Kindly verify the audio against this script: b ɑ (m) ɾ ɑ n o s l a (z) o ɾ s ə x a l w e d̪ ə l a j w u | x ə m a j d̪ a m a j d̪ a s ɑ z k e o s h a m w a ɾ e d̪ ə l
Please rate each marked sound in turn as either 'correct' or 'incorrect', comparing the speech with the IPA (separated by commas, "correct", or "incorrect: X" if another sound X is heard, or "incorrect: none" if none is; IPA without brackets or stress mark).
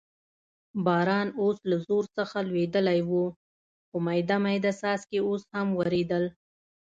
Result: incorrect: none, correct